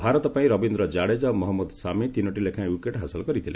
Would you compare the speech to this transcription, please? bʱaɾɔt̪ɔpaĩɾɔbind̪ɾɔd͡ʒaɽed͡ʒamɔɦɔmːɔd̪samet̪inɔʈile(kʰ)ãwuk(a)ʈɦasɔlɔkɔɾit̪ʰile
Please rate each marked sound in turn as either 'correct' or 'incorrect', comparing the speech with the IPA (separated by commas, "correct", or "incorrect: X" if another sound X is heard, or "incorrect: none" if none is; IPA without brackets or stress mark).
correct, incorrect: e